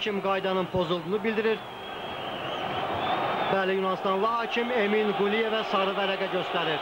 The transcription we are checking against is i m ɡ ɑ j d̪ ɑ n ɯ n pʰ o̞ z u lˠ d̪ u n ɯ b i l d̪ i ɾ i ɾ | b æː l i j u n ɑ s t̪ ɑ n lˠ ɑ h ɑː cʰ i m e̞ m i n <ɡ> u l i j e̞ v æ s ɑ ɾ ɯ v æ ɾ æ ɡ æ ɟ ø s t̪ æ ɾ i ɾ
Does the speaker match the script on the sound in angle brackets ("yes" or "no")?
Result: yes